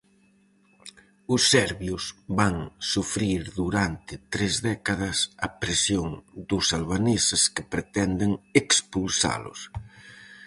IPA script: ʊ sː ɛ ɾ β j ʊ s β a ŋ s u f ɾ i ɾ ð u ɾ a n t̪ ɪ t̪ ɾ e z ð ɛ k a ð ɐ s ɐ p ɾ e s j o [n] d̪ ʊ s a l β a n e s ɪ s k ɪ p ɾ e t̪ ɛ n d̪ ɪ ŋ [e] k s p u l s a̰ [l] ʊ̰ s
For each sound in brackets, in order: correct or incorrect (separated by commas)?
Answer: incorrect, correct, correct